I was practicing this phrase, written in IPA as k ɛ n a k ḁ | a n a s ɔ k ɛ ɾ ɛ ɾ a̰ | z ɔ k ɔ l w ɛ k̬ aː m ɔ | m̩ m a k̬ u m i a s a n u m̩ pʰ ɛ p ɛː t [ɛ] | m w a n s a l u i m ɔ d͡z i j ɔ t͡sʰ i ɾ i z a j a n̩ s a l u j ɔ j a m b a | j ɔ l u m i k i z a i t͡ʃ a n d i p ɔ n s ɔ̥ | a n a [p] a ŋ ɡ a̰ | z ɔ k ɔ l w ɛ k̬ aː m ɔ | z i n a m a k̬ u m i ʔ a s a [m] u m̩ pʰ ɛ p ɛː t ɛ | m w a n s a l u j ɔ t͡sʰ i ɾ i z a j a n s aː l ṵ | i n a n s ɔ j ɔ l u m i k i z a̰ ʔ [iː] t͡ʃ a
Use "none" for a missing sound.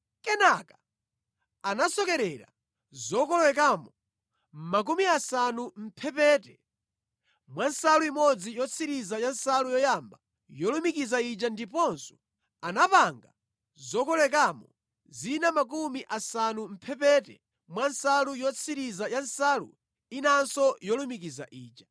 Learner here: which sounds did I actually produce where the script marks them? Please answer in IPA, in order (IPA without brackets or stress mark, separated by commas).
ɛ, p, n, iː